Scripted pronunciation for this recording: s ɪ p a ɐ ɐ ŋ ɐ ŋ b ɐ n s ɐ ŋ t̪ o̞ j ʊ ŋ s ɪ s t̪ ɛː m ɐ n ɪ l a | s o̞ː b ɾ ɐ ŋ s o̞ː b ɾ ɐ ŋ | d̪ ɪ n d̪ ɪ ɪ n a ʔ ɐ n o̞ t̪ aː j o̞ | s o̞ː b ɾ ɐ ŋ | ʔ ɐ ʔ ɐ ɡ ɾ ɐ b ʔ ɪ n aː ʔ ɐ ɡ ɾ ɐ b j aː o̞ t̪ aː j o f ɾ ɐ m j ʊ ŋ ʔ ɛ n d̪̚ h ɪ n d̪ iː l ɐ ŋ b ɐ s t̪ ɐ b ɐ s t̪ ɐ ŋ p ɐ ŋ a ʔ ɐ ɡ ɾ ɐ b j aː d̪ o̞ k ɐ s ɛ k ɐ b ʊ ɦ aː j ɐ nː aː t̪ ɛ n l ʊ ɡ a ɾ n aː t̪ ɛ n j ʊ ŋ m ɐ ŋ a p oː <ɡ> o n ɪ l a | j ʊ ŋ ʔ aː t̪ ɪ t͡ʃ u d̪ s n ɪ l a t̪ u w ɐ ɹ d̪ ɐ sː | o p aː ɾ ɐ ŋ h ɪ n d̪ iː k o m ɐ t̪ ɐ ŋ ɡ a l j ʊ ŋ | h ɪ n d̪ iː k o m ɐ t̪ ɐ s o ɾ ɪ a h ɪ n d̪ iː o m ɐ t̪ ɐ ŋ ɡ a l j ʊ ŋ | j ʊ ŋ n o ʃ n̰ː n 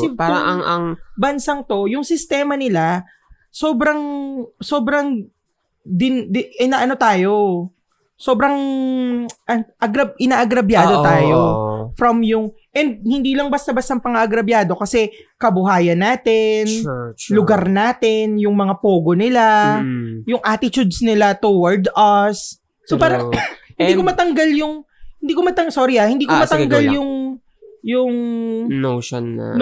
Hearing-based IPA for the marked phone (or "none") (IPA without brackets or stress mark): ɡ